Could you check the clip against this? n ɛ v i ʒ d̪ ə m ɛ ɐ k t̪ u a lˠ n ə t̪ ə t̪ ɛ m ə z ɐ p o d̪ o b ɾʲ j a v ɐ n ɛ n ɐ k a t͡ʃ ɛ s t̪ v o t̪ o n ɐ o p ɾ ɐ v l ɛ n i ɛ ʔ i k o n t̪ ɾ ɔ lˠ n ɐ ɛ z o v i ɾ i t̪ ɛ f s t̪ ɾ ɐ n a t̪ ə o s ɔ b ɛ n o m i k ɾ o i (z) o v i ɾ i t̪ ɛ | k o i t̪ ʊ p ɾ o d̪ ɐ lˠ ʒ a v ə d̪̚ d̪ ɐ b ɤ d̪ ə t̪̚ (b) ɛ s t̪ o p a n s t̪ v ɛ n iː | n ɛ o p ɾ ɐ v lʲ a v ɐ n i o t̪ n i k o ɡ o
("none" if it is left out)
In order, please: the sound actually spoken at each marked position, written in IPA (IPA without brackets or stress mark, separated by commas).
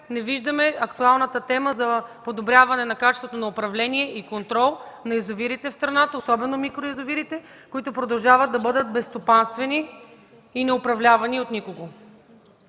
z, b